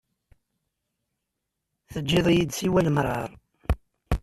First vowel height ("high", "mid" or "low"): mid